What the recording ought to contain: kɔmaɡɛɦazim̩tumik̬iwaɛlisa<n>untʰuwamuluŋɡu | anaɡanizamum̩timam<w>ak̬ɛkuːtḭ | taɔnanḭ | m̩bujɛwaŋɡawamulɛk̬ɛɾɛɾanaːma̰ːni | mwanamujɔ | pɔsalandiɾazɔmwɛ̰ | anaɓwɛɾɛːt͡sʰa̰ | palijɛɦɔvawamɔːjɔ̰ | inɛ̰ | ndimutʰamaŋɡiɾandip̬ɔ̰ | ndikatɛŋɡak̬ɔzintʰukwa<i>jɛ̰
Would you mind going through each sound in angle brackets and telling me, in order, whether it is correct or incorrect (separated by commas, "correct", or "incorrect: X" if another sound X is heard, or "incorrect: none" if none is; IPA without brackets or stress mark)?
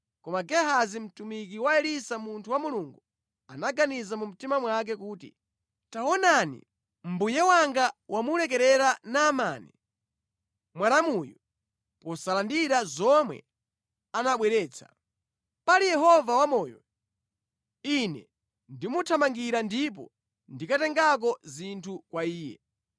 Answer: incorrect: m, correct, incorrect: iː